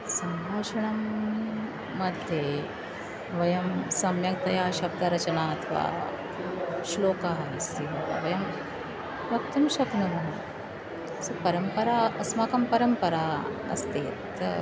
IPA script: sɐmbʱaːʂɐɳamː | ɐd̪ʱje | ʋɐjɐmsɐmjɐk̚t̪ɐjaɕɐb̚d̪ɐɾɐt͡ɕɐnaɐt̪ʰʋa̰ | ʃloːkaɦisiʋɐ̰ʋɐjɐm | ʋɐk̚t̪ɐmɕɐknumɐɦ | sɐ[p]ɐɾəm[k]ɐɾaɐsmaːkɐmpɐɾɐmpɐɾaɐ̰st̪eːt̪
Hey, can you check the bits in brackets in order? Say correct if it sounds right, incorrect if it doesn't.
correct, incorrect

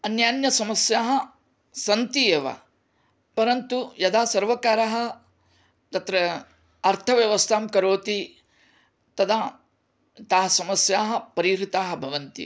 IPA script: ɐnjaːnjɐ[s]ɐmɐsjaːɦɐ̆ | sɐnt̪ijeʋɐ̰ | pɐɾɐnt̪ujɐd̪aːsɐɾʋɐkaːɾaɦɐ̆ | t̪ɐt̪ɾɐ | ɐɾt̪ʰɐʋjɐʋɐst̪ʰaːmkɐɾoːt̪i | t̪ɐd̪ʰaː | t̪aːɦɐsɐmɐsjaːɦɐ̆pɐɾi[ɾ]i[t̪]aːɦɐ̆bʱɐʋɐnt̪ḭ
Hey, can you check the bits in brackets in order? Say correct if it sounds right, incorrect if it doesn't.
correct, correct, correct

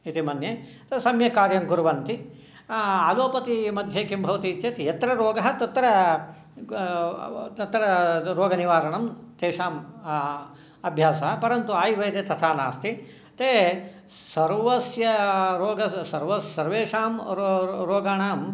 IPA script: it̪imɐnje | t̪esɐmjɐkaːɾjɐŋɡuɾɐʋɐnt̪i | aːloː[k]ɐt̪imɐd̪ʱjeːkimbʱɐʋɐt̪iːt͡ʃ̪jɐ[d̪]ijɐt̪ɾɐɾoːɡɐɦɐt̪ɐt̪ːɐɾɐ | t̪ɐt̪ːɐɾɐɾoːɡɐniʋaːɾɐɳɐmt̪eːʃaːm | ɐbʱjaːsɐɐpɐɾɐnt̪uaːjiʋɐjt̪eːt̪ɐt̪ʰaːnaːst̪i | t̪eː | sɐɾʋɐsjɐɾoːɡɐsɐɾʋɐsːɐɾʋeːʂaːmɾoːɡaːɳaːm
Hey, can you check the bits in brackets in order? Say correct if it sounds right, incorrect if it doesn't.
incorrect, incorrect

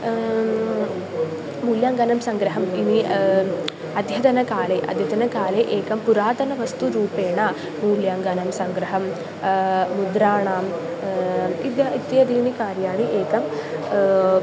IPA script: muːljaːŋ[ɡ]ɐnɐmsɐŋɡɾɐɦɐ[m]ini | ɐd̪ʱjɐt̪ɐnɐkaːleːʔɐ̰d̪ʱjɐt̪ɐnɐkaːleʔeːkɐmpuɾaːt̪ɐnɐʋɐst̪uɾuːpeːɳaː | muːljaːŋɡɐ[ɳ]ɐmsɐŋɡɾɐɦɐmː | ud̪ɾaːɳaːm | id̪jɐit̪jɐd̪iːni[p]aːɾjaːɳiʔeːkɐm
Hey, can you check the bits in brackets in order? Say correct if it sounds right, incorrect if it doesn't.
correct, correct, incorrect, incorrect

